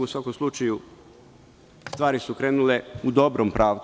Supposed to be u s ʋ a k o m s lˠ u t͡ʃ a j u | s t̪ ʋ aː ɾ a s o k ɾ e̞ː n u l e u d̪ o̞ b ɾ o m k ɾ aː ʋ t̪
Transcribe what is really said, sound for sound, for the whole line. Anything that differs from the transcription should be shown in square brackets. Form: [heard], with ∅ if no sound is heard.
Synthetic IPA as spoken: u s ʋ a k o m s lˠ u t͡ʃ a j u | s t̪ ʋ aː ɾ [i] s [u] k ɾ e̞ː n u l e u d̪ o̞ b ɾ o m [p] ɾ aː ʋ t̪